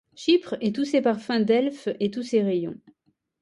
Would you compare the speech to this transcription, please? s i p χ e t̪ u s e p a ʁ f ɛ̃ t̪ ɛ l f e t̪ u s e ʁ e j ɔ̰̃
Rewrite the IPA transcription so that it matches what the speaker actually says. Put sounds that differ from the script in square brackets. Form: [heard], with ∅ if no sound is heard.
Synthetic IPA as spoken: [ʃ] i p χ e t̪ u s e p a ʁ f ɛ̃ [d̪] ɛ l f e t̪ u s e ʁ e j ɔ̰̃

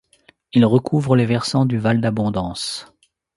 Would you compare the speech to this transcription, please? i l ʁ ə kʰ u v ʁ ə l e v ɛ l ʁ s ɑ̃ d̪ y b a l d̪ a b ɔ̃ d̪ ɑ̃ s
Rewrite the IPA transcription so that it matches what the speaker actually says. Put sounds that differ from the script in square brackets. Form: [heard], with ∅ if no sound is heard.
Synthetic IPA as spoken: i l ʁ ə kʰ u v ʁ ə l e v ɛ [∅] ʁ s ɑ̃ d̪ y [v] a l d̪ a b ɔ̃ d̪ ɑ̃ s

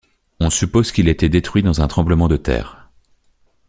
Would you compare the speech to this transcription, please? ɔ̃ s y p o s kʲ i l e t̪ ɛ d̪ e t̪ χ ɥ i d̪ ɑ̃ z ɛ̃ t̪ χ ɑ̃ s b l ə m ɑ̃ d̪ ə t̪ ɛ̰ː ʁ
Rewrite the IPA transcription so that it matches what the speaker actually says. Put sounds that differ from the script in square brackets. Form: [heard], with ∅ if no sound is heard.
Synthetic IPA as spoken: ɔ̃ s y p o [z] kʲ i l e t̪ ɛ d̪ e t̪ χ ɥ i d̪ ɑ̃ z ɛ̃ t̪ χ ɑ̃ [∅] b l ə m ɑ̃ d̪ ə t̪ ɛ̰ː ʁ

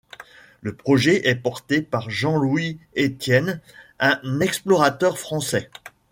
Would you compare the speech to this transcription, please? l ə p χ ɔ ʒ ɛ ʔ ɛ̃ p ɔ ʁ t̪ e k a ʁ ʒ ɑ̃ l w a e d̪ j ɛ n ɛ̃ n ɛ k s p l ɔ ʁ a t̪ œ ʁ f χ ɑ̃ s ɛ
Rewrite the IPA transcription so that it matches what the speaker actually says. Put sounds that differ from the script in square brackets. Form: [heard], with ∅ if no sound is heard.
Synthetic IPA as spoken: l ə p χ ɔ ʒ ɛ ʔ [ɛ] p ɔ ʁ t̪ e [p] a ʁ ʒ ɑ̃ l w [i] e [t̪] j ɛ n ɛ̃ n ɛ k s p l ɔ ʁ a t̪ œ ʁ f χ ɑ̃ s ɛ

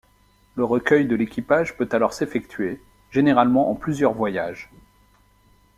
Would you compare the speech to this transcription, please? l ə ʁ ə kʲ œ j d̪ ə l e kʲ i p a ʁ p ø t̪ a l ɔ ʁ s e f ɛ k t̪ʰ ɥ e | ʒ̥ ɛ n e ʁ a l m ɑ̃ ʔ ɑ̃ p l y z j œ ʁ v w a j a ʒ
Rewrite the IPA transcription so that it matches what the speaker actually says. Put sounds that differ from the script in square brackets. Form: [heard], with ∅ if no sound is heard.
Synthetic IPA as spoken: l ə ʁ ə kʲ œ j d̪ ə l e kʲ i p a [ʒ] p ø t̪ a l ɔ ʁ s e f ɛ k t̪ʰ ɥ e | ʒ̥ [e] n e ʁ a l m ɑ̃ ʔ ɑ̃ p l y z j œ ʁ v w a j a ʒ

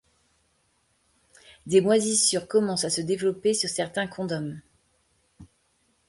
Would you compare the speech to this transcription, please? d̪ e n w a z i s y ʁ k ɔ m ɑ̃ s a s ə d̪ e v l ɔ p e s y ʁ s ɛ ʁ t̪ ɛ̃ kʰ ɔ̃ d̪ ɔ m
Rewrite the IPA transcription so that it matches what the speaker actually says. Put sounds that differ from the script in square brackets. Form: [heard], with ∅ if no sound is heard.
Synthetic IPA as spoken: d̪ e [m] w a z i s y ʁ k ɔ m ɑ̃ s a s ə d̪ e v l ɔ p e s y ʁ s ɛ ʁ t̪ ɛ̃ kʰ ɔ̃ d̪ ɔ m

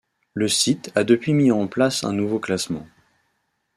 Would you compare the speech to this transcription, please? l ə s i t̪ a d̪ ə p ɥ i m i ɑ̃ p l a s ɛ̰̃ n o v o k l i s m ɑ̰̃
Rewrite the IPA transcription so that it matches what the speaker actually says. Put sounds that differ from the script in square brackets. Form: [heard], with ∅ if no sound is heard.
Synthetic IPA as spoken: l ə s i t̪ a d̪ ə p ɥ i m i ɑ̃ p l a s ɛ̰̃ n [u] v o k l [a] s m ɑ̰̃

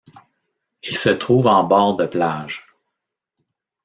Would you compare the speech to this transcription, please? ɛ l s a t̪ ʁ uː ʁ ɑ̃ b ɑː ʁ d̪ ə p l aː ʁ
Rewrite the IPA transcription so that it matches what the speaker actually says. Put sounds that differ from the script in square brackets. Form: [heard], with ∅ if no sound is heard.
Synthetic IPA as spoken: [i] l s [ə] t̪ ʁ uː [v] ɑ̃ b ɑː ʁ d̪ ə p l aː [ʒ]

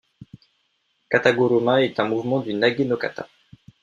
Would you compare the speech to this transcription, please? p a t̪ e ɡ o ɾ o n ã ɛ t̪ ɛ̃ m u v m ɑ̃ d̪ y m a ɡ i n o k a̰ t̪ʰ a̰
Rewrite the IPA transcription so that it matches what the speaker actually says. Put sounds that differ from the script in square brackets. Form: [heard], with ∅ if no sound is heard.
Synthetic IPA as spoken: [k] a t̪ [a] ɡ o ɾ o [m] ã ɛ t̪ ɛ̃ m u v m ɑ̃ d̪ y [n] a ɡ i n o k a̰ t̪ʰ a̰

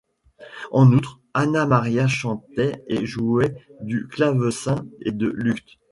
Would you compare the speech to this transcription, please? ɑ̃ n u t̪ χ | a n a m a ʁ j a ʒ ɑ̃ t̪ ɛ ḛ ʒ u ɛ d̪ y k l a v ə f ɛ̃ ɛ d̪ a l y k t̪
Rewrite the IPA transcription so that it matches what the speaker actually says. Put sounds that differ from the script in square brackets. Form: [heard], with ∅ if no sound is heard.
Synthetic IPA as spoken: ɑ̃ n u t̪ χ | a n a m a ʁ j a [ʃ] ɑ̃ t̪ ɛ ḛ ʒ u ɛ d̪ y k l a v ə [s] ɛ̃ [e] d̪ [ə] l y k t̪

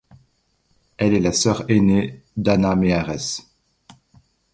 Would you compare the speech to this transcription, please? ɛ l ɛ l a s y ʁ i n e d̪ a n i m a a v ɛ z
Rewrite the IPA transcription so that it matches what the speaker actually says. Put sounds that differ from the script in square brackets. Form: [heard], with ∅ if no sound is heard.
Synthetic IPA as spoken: ɛ l ɛ l a s [œ] ʁ [e] n e d̪ a n [a] m [e] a [ʁ] ɛ [s]

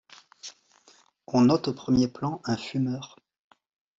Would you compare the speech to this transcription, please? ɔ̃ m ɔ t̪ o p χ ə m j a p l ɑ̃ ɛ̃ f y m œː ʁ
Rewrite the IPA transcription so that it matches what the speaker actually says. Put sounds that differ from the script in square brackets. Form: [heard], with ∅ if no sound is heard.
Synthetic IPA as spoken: ɔ̃ [n] ɔ t̪ o p χ ə m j [e] p l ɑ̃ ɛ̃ f y m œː ʁ

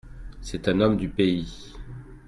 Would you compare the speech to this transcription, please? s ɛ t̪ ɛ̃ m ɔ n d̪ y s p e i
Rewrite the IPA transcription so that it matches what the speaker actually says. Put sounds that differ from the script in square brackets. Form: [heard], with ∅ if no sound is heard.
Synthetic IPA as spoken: s ɛ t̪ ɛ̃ [n] ɔ [m] d̪ y [∅] p e i

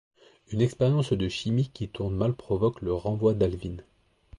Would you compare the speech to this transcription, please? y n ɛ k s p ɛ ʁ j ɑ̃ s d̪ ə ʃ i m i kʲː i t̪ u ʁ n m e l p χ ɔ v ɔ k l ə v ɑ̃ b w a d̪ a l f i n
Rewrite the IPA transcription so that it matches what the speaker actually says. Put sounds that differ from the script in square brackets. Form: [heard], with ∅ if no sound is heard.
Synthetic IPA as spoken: y n ɛ k s p ɛ ʁ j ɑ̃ s d̪ ə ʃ i m i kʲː i t̪ u ʁ n m [a] l p χ ɔ v ɔ k l ə [ʁ] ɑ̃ [v] w a d̪ a l [v] i n

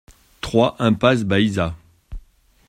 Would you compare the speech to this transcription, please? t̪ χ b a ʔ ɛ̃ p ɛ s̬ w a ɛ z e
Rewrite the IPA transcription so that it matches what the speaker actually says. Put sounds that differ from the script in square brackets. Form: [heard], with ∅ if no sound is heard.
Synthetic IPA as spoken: t̪ χ [w] a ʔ ɛ̃ p [a] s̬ [b] a [i] z [a]

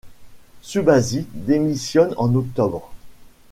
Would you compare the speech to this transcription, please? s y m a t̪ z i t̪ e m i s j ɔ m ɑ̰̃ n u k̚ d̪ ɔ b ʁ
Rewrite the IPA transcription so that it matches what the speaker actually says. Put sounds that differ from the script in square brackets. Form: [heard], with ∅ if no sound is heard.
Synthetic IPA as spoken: s y [b] a [∅] z i [d̪] e m i s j ɔ [n] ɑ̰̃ n [ɔ] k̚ [t̪] ɔ b ʁ

